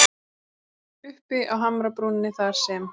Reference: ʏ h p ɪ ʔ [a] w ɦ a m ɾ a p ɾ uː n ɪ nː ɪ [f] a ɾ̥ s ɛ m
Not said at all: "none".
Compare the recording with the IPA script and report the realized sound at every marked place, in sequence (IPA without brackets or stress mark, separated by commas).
a, θ